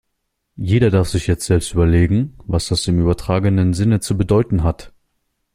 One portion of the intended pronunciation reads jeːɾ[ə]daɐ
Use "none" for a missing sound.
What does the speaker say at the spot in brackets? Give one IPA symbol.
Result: ɐ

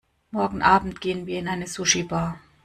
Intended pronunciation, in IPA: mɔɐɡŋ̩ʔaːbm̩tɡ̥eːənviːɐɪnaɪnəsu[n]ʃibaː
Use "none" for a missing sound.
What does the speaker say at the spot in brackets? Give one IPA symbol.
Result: none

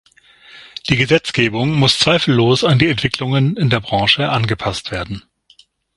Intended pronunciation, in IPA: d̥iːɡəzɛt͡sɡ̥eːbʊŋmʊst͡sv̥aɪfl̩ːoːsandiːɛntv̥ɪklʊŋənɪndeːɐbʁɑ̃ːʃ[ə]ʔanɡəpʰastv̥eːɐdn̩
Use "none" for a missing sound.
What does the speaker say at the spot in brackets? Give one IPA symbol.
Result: ə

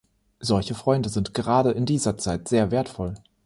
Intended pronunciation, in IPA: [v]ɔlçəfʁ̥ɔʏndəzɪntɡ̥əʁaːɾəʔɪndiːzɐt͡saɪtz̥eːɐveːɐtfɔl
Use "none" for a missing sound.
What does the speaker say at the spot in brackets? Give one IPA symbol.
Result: z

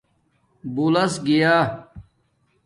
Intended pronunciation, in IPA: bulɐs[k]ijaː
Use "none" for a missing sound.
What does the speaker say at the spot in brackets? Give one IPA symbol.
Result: ɡ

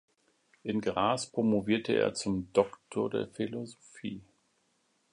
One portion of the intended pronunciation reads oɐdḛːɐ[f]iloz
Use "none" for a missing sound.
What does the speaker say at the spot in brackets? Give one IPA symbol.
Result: f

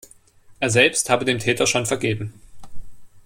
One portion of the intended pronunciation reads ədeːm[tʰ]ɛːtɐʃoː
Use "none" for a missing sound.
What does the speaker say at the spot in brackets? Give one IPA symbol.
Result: tʰ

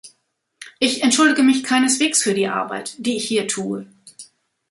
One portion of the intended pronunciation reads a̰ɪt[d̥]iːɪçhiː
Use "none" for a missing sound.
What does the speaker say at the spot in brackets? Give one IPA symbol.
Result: d̥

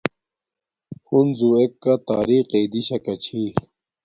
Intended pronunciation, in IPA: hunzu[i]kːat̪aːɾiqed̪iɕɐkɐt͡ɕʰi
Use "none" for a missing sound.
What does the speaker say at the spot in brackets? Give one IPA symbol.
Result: e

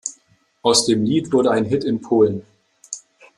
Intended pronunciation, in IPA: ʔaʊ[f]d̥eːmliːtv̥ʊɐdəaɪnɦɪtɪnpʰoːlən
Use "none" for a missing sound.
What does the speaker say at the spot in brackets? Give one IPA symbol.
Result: s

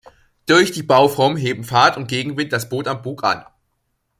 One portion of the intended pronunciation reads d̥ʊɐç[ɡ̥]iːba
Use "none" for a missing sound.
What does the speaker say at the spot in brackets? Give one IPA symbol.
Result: d̥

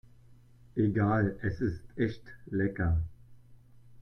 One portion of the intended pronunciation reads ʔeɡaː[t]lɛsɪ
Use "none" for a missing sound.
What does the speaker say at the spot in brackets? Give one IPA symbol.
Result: none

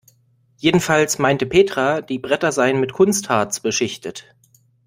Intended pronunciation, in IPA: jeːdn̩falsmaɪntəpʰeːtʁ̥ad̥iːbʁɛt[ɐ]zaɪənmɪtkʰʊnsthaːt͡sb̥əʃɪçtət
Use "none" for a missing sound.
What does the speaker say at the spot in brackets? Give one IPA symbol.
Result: ɐ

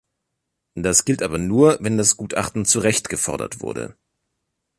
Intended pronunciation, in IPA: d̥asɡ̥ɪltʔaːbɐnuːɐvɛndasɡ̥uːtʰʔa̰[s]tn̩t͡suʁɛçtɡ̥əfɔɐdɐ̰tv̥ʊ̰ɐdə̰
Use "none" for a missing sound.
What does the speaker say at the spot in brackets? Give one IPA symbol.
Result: χ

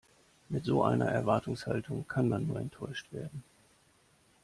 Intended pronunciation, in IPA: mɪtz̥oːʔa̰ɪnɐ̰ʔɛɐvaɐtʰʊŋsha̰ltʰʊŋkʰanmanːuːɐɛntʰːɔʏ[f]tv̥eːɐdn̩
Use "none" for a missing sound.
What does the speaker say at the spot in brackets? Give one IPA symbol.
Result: ʃ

